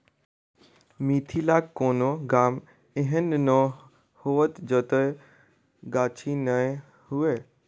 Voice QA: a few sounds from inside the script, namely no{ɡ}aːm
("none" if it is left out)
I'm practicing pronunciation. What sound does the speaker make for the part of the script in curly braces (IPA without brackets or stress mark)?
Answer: ɡ